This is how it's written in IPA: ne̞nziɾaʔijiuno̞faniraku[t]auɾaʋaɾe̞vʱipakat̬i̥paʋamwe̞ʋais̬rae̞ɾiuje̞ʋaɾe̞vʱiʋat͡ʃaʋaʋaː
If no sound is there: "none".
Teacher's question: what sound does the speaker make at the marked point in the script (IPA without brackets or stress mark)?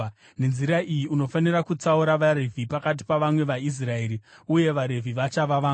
t͡s